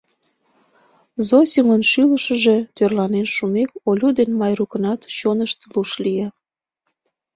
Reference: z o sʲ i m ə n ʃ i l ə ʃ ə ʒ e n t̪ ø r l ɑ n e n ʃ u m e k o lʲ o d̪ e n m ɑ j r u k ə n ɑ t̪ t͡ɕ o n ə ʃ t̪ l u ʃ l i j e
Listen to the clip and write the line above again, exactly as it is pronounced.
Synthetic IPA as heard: z o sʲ i m ə n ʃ y l ə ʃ ə ʒ e t̪ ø r l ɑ n e n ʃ u m e k o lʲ u d̪ e n m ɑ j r u k ə n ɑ t̪ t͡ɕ o n ə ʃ t̪ l u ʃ l i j e